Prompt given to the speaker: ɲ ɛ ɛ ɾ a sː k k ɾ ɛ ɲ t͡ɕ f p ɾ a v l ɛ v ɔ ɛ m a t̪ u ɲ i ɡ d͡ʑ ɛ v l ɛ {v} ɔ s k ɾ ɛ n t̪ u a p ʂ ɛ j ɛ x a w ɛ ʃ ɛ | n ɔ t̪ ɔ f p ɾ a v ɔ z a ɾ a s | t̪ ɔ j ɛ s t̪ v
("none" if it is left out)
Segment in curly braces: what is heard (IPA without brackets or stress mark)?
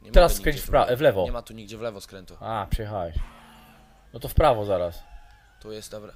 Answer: v